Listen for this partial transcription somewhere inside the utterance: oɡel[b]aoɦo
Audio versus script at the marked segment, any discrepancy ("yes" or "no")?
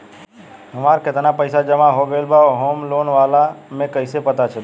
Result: no